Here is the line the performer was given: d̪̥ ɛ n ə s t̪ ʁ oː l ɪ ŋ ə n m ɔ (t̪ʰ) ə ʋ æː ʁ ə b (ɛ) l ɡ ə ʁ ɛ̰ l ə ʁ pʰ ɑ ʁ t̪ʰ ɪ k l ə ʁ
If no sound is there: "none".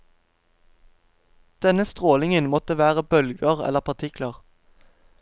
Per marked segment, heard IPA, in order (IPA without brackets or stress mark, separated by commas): t̪, œ